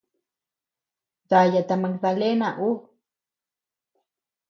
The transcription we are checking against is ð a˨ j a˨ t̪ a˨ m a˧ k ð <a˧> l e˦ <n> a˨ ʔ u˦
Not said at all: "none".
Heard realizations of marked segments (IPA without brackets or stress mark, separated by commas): a˧, n